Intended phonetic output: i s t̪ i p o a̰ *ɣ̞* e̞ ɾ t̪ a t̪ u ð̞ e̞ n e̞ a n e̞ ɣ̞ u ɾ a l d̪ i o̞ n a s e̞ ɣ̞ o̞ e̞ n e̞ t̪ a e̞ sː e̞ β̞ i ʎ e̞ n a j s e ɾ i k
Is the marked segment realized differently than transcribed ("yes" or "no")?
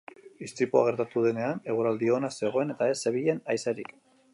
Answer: no